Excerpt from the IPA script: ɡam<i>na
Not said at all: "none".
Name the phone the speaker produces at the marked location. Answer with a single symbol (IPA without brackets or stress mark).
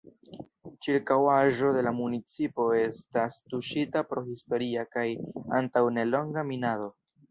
i